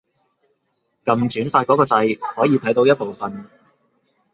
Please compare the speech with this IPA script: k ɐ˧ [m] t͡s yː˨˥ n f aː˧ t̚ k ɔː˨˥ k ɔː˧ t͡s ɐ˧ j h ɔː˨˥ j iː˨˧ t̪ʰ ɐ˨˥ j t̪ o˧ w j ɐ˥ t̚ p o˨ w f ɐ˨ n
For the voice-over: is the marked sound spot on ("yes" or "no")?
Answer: yes